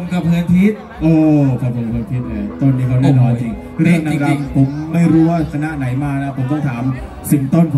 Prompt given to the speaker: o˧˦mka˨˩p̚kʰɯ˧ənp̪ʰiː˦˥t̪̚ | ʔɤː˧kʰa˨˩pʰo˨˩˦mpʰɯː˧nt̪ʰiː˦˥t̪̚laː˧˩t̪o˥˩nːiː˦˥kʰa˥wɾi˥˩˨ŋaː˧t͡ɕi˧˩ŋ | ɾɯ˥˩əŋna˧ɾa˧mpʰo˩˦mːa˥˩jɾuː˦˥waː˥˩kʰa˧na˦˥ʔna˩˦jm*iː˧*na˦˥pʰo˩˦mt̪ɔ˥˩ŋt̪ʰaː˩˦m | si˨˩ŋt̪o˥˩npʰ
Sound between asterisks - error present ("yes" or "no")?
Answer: yes